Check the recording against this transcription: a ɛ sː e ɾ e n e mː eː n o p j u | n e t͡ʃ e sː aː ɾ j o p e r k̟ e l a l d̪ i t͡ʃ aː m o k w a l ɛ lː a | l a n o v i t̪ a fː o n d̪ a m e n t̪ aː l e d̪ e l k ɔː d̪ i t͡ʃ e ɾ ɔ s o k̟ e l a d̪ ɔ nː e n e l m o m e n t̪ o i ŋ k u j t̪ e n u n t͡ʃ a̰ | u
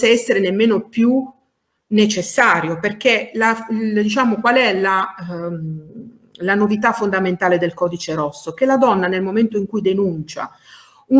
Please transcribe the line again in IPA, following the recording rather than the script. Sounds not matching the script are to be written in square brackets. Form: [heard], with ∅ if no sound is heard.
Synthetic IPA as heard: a ɛ sː e ɾ e n e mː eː n o p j u | n e t͡ʃ e sː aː ɾ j o p e r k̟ e l a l d̪ i t͡ʃ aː m o k w a l ɛ [l] a | l a n o v i t̪ a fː o n d̪ a m e n t̪ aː l e d̪ e l k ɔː d̪ i t͡ʃ e ɾ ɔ [sː] o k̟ e l a d̪ ɔ nː [a] n e l m o m e n t̪ o i ŋ k u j [d̪] e n u n t͡ʃ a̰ | u